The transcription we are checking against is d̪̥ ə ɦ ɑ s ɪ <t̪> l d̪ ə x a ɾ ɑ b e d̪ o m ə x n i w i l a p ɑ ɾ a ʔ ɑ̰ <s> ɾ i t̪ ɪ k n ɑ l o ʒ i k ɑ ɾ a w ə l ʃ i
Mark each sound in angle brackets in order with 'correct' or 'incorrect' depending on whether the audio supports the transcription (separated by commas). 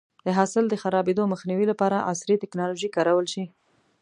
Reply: incorrect, correct